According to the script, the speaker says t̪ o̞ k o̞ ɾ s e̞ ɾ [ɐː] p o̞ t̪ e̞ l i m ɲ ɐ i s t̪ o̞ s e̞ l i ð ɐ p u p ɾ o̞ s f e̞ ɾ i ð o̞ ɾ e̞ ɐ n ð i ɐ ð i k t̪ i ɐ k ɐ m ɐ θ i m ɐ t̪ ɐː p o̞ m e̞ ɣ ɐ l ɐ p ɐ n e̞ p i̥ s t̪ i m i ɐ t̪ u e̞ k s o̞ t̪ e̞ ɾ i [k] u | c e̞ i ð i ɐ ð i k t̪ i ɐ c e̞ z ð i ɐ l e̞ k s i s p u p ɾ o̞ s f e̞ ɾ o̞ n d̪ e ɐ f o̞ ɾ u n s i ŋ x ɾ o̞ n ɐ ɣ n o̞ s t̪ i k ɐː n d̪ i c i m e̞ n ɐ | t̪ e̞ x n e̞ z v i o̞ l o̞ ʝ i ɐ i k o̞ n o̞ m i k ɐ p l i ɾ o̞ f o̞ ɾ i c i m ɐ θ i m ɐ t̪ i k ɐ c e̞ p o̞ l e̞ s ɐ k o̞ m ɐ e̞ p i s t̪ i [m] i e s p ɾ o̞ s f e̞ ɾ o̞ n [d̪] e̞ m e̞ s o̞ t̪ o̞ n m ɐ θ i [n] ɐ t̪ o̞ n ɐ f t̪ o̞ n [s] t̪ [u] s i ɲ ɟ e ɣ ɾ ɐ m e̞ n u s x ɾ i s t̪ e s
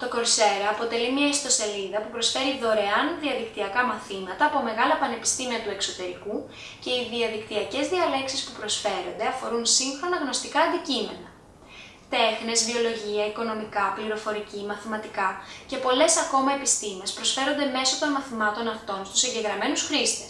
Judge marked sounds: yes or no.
yes, yes, yes, yes, no, yes, yes

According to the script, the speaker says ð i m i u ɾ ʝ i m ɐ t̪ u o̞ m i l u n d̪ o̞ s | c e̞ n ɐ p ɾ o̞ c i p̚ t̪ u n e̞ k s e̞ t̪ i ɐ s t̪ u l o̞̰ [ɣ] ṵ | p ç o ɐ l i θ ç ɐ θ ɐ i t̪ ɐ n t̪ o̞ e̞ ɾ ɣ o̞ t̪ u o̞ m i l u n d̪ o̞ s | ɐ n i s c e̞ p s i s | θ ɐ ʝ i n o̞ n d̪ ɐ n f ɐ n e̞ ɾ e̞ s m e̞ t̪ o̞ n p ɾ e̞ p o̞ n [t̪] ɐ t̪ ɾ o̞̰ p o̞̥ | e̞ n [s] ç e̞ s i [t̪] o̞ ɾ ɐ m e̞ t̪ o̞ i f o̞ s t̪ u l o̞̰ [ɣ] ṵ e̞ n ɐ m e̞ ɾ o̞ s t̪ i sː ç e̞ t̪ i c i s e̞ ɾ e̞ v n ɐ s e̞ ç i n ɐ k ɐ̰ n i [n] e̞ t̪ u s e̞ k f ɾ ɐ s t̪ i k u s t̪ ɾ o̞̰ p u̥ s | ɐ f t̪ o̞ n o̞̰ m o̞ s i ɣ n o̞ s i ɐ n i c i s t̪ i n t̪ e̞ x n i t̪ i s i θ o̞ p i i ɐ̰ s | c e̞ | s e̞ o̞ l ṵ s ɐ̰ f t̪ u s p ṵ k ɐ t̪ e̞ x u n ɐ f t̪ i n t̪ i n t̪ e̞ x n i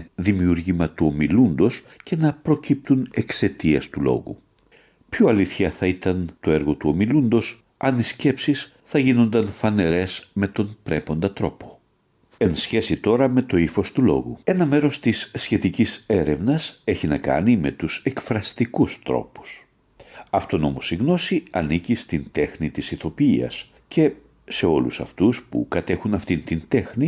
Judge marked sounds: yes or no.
yes, no, yes, yes, yes, no

